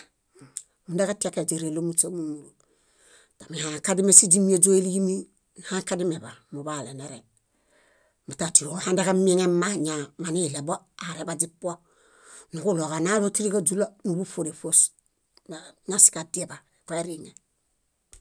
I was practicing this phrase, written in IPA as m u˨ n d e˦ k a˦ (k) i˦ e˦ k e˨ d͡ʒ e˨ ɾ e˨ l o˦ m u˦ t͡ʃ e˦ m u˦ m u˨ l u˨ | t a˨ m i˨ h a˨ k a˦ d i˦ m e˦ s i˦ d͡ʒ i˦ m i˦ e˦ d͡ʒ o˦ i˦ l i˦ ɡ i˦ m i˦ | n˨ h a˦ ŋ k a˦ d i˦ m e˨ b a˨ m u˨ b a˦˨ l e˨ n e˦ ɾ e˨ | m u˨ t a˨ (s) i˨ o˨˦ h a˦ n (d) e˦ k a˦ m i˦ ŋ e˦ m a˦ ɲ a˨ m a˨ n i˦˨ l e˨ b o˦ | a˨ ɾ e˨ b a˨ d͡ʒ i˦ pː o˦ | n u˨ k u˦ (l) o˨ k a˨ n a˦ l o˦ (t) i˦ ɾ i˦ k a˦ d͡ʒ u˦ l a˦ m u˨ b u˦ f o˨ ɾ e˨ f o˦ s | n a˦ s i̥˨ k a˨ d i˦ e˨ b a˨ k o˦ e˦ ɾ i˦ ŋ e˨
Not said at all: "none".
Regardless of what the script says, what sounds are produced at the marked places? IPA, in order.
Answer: t, t, d, l, t

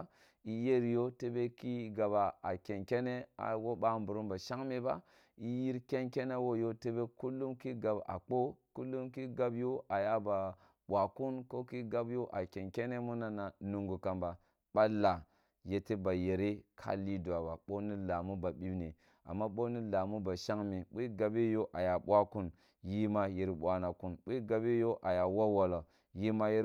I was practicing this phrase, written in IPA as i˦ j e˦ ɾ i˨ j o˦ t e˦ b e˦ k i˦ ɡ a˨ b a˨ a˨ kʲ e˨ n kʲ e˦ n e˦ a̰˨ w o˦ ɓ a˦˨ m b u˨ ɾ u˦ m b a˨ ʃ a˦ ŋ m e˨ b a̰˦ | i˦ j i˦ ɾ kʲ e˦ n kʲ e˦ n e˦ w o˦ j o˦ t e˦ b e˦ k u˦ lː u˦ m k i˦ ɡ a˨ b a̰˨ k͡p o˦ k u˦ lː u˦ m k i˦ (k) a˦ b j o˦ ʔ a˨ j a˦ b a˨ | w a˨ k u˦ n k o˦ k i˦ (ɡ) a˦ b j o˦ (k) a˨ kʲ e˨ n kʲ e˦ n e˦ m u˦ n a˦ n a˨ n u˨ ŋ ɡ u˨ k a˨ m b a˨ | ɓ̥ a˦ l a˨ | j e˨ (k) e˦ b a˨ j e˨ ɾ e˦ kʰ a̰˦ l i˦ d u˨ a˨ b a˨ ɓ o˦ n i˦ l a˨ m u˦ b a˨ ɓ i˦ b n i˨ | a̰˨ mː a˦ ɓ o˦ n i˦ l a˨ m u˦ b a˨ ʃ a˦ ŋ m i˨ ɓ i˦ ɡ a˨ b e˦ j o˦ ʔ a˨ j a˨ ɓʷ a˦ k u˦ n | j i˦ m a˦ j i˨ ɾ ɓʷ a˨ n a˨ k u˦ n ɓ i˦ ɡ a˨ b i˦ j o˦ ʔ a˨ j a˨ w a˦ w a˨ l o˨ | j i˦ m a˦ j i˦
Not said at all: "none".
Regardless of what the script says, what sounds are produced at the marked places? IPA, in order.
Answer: ɡ, ɡ, ʔ, t

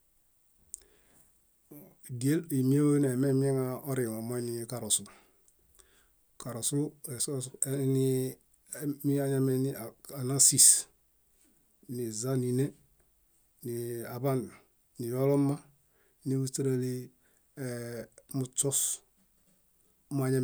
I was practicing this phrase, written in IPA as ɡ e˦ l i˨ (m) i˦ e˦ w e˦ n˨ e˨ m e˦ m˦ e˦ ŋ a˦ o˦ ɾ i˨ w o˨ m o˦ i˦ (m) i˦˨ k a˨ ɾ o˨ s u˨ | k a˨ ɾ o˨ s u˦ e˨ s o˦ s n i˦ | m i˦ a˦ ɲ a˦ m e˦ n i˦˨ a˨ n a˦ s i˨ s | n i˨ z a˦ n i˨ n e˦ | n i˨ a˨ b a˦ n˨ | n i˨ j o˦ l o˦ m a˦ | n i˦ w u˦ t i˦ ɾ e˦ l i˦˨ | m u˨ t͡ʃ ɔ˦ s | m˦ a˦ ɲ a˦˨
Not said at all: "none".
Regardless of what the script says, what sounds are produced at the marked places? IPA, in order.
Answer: m, n

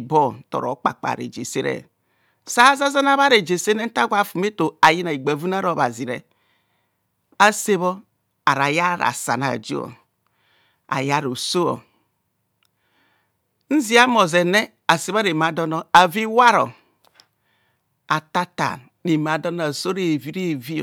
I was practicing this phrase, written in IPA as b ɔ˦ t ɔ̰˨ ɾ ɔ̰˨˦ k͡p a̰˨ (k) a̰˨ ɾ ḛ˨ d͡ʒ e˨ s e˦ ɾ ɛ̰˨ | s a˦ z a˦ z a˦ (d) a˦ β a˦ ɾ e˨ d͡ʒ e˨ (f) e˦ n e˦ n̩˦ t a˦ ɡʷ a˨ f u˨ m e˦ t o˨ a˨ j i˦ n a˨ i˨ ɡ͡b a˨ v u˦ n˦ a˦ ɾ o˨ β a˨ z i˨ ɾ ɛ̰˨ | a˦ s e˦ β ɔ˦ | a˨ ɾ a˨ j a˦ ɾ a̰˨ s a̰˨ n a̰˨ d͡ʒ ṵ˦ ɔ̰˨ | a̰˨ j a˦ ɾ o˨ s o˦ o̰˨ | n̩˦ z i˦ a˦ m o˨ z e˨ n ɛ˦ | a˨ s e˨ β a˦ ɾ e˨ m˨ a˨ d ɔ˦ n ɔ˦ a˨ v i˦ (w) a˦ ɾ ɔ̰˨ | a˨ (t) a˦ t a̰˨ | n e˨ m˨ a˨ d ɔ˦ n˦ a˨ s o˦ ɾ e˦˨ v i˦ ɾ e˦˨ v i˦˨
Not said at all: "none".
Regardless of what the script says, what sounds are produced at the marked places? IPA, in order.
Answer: k͡p, n, s, w, t

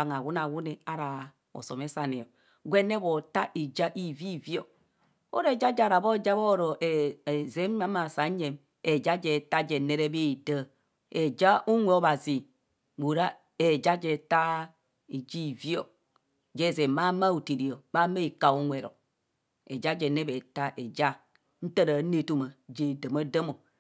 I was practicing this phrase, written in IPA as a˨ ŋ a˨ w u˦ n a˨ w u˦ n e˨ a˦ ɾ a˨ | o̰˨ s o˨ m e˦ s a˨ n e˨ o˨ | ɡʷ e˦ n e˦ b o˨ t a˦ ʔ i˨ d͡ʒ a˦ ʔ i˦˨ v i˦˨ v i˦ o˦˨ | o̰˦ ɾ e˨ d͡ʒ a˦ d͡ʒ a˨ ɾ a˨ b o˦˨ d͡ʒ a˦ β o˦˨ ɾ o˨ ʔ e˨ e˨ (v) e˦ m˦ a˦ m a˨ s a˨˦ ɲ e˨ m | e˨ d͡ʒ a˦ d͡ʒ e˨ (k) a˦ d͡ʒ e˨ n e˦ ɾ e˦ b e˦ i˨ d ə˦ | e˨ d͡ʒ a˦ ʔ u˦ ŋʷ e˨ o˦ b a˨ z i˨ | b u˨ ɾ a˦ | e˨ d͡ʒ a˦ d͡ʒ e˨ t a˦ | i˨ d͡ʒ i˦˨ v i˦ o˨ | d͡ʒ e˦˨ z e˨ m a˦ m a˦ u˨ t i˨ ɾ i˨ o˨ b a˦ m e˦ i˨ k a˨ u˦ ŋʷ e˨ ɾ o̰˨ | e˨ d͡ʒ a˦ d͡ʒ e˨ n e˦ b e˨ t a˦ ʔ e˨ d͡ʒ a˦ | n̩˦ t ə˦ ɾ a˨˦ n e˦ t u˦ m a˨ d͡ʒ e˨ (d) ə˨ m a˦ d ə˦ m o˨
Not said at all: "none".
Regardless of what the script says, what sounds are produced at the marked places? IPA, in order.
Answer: z, t, d

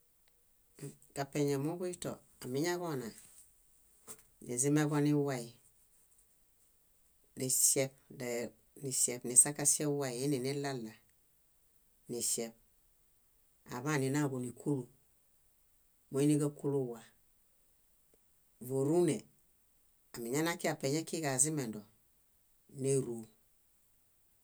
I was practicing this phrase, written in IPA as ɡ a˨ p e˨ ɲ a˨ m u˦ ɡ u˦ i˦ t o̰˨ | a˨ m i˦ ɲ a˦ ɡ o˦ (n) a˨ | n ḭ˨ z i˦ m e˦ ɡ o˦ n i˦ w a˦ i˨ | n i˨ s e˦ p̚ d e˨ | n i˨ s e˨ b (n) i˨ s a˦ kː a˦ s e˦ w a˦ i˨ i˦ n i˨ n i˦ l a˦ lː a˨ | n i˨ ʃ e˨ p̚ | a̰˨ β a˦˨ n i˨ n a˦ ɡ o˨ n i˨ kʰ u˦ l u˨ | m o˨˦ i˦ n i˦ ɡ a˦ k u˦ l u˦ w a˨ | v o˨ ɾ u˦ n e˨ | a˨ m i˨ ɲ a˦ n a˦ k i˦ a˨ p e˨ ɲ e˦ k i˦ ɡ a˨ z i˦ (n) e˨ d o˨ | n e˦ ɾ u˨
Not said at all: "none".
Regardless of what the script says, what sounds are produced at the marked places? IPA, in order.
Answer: n, n, m

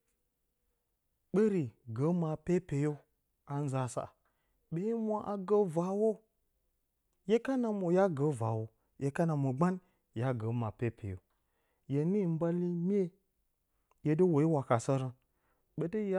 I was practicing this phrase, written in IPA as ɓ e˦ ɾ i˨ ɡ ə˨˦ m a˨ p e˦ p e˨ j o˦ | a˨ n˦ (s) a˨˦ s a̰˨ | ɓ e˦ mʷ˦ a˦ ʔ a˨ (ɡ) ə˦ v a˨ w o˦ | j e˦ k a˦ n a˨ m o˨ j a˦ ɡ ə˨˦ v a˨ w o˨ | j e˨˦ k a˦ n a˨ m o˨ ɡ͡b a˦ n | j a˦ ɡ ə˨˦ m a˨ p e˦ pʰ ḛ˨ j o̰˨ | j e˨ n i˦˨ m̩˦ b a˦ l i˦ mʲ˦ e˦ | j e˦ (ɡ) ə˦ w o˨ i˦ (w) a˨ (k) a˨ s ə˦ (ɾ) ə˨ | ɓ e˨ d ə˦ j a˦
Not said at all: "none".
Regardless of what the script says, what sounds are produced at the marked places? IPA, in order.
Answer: z, ɡ, d, w, k, ɾ

